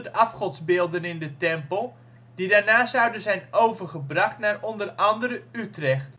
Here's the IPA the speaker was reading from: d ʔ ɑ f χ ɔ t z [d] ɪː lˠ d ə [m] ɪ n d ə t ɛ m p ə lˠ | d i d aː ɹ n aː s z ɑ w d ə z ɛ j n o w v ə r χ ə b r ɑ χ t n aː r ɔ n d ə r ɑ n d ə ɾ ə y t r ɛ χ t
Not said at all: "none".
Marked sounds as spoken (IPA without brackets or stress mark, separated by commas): b, n